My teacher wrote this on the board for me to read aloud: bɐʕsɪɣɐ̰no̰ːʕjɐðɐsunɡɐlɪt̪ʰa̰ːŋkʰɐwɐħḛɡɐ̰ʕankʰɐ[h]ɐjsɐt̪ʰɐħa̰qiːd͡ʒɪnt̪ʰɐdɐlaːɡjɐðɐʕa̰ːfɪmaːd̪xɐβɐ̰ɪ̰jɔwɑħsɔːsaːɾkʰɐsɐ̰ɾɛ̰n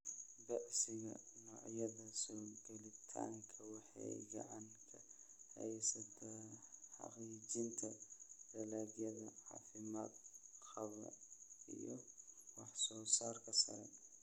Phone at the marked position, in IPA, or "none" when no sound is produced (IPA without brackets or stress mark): h